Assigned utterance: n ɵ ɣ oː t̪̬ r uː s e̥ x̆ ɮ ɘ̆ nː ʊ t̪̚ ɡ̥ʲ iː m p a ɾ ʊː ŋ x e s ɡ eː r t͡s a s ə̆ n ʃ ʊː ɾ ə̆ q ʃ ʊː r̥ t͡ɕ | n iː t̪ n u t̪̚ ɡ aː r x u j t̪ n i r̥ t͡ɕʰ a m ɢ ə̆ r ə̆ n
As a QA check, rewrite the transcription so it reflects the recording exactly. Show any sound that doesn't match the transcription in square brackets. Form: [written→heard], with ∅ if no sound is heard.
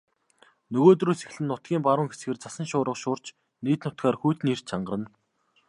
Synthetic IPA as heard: n ɵ ɣ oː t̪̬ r uː s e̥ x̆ ɮ ɘ̆ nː ʊ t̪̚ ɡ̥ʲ iː m p a ɾ ʊː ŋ x e s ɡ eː r t͡s a s ə̆ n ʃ ʊː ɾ ə̆ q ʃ ʊː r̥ t͡ɕ | n iː t̪ n [u→ʊ] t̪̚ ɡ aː r x u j t̪ n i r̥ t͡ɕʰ a [m→ɴ] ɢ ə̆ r ə̆ n